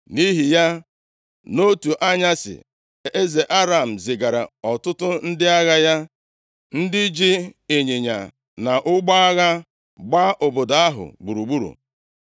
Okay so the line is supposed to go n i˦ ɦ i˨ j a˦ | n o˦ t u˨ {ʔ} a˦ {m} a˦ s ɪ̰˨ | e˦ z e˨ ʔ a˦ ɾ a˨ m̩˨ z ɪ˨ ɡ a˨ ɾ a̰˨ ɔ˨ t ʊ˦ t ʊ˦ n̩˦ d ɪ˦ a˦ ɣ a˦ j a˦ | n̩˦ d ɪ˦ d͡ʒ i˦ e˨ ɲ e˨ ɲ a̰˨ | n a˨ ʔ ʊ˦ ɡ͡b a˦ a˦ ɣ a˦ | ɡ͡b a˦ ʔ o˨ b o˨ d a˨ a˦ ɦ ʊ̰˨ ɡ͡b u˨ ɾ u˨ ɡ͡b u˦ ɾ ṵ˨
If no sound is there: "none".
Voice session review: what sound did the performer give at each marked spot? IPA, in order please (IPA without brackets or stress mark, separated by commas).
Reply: ʔ, ɲ